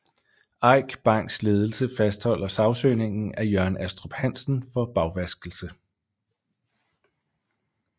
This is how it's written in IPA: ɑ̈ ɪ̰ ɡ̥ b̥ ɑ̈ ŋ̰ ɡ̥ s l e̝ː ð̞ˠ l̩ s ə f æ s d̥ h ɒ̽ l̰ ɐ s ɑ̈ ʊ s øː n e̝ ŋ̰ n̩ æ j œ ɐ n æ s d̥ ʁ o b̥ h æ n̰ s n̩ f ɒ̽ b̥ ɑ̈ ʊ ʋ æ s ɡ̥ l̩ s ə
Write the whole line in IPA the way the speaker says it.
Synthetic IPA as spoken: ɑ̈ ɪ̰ ɡ̥ b̥ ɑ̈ ŋ̰ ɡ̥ s l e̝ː ð̞ˠ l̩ s ə f æ s d̥ h ɒ̽ l̰ ɐ s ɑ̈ ʊ s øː n e̝ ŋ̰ n̩ æ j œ ɐ n æ s d̥ ʁ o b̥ h æ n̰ s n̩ f ɒ̽ b̥ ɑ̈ ʊ ʋ æ s ɡ̥ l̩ s ə